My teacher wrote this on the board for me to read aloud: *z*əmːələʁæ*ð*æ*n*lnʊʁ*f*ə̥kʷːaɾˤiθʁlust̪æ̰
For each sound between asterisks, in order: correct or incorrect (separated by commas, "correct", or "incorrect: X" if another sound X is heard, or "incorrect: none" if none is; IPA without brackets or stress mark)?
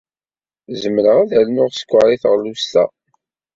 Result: correct, correct, incorrect: none, incorrect: s